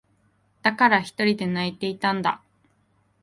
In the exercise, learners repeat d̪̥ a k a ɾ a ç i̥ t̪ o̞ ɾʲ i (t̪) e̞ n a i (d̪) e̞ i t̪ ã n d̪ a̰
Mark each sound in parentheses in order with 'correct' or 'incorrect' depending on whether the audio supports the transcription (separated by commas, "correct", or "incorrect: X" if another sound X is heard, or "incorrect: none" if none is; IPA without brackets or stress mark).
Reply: incorrect: d̪, incorrect: t̪